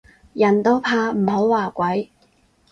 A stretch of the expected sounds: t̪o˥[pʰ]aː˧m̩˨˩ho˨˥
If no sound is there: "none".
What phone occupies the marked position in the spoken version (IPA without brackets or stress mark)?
pʰ